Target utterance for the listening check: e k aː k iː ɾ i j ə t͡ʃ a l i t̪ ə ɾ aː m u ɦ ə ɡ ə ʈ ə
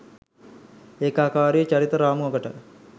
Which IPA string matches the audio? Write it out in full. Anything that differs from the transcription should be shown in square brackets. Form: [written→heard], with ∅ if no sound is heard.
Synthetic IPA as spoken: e k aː k [iː→aː] ɾ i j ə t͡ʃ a [l→ɾ] i t̪ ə ɾ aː m u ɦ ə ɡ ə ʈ ə

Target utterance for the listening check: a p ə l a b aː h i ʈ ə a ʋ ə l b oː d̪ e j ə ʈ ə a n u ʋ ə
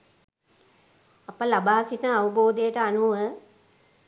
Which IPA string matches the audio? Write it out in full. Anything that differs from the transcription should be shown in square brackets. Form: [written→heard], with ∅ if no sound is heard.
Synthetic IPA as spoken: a p ə l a b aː [h→s] i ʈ ə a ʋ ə [l→∅] b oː d̪ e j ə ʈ ə a n u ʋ ə

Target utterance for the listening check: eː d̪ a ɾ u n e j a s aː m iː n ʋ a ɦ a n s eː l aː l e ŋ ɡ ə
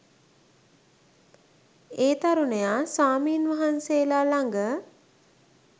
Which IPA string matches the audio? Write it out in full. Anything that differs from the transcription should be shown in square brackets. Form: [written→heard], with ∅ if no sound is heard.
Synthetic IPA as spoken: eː [d̪→t̪] a ɾ u n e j a s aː m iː n ʋ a ɦ a n s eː l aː l [e→a] ŋ ɡ ə

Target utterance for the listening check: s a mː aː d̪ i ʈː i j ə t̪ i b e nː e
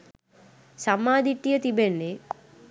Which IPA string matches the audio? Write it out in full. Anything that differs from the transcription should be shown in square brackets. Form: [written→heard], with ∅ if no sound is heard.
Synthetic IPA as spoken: s a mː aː d̪ i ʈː i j ə t̪ i b e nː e

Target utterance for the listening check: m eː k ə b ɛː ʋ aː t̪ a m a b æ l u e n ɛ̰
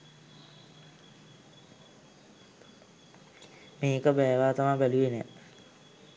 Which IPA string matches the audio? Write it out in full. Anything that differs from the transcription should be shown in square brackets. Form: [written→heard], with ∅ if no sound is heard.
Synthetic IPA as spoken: m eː k ə b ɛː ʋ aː t̪ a m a b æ l u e n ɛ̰

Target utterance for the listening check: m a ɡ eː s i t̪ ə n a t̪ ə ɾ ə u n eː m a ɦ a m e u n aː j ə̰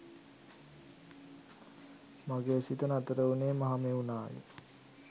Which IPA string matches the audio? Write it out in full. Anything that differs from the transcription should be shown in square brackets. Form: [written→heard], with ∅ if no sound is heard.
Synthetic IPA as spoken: m a ɡ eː s i t̪ ə n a t̪ ə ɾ ə u n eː m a ɦ a m e u n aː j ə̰

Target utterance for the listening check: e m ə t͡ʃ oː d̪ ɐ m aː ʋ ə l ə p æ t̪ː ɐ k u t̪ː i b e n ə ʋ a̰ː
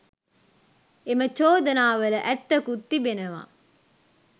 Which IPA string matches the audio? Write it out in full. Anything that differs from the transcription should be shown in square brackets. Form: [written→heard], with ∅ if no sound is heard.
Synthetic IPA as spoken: e m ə t͡ʃ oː d̪ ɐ [m→n] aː ʋ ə l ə [p→ʔ] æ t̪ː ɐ k u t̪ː i b e n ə ʋ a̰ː

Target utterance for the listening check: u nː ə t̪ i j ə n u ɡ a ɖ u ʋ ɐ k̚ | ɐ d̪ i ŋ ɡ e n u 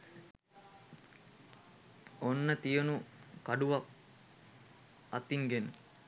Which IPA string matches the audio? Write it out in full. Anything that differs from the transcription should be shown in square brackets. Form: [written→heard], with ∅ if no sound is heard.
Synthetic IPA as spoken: [u→o] nː ə t̪ i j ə n u [ɡ→k] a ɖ u ʋ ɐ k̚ | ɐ [d̪→t̪] i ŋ ɡ e n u

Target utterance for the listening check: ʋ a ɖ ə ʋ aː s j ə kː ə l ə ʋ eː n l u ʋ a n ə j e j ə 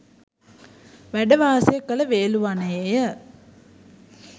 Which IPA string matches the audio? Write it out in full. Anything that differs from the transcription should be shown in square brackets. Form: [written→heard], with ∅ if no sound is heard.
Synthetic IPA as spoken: ʋ [a→æ] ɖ ə ʋ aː s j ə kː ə l ə ʋ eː [n→∅] l u ʋ a n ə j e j ə

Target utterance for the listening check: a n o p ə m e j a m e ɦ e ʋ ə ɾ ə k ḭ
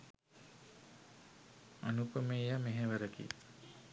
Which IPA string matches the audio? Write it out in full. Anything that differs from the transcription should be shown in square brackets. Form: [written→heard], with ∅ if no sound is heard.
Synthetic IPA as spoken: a n [o→u] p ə m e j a m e ɦ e ʋ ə ɾ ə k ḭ

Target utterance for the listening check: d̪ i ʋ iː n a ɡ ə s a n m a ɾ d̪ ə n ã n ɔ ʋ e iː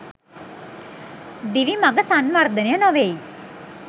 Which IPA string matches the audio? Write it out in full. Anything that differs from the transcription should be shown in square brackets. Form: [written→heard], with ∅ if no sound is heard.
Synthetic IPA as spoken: d̪ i ʋ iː [n→m] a ɡ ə s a n m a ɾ d̪ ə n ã n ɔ ʋ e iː

